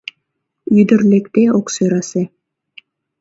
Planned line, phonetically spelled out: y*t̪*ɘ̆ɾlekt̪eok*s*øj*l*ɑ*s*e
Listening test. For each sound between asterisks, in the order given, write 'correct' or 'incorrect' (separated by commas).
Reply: incorrect, correct, incorrect, correct